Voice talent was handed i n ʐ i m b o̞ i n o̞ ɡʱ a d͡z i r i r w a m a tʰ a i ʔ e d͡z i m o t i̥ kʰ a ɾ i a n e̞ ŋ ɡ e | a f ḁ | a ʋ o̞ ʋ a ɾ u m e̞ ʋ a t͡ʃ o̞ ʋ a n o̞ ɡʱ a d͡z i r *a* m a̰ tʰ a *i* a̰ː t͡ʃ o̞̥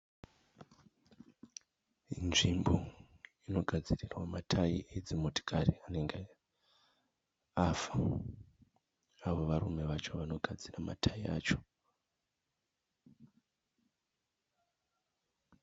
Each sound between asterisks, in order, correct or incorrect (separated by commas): correct, correct